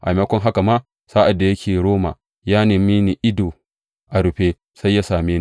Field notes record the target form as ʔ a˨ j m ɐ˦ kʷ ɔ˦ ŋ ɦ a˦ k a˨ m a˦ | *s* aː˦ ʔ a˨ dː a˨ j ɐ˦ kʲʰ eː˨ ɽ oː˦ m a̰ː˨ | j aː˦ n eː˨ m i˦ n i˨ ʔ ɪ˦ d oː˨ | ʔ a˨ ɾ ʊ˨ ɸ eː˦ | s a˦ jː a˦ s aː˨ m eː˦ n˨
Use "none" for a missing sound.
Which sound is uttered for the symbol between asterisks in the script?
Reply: s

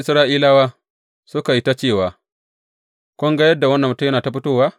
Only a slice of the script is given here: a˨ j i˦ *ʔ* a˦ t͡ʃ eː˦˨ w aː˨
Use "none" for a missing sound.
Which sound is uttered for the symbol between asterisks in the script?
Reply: t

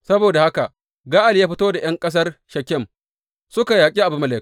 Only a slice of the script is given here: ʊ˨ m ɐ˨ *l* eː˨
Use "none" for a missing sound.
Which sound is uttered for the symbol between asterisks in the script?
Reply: l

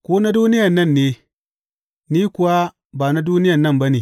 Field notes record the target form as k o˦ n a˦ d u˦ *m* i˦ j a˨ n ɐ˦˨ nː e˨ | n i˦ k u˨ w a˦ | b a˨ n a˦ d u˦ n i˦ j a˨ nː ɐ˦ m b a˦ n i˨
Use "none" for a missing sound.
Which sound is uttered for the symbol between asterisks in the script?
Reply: n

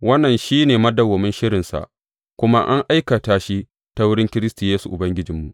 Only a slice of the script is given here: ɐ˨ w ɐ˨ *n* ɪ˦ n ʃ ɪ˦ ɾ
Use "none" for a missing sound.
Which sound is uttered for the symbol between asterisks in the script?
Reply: m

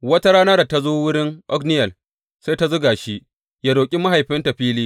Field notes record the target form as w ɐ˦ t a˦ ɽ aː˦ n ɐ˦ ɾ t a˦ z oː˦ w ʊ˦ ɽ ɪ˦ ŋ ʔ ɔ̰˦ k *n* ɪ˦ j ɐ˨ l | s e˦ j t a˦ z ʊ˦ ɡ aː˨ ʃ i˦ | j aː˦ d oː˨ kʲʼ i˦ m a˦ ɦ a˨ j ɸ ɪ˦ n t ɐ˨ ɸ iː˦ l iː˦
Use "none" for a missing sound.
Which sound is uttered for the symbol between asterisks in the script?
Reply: n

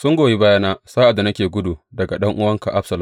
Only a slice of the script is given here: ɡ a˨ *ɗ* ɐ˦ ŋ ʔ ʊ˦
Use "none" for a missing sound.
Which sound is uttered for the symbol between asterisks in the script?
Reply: ɗ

